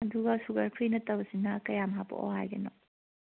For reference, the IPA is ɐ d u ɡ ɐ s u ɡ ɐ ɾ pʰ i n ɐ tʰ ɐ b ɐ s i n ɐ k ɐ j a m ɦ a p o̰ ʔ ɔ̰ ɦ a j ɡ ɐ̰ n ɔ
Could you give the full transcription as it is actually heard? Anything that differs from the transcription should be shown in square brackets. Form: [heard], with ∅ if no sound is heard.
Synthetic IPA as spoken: ɐ d u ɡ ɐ s u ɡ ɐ ɾ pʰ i n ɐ [t] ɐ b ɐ s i n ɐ k ɐ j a m ɦ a p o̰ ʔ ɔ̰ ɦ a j ɡ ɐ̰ n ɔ